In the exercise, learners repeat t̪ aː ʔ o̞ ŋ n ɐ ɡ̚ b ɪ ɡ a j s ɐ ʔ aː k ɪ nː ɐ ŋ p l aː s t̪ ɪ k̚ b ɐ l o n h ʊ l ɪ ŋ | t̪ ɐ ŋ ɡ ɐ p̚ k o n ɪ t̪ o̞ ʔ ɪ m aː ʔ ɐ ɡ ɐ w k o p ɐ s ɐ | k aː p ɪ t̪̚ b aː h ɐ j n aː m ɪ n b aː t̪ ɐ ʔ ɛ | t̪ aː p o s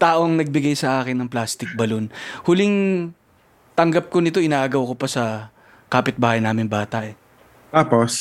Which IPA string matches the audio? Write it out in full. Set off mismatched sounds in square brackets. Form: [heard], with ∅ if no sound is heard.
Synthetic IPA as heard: t̪ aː ʔ o̞ ŋ n ɐ ɡ̚ b ɪ ɡ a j s ɐ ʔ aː k ɪ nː ɐ ŋ p l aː s t̪ ɪ k̚ b ɐ l o n h ʊ l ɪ ŋ | t̪ ɐ ŋ ɡ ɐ p̚ k o n ɪ t̪ o̞ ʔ ɪ [n] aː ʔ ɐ ɡ ɐ w k o p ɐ s ɐ | k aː p ɪ t̪̚ b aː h ɐ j n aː m ɪ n b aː t̪ ɐ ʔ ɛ | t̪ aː p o s